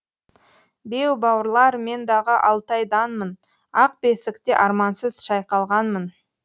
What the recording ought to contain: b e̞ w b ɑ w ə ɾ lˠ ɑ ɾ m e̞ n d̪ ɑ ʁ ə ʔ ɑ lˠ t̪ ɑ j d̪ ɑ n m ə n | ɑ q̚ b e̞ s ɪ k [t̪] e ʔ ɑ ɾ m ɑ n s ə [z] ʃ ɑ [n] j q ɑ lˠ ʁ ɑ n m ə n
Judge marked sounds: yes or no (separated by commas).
yes, yes, no